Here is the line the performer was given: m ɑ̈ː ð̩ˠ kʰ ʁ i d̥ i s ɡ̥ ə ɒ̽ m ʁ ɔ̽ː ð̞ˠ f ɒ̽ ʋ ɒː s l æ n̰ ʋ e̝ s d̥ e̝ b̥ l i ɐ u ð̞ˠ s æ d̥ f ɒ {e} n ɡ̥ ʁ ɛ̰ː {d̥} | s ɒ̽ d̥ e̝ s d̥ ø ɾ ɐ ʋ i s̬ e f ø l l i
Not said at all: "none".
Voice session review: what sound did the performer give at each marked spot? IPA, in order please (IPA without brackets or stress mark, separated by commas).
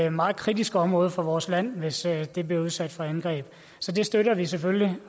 æ, b̥